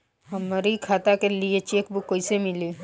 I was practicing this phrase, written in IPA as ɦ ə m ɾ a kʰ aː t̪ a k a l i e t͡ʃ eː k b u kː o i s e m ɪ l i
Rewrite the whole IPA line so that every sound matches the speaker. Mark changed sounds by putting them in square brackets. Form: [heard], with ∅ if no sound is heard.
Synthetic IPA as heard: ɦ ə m ɾ [i] kʰ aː t̪ a k [e] l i e t͡ʃ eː k b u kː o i s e m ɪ l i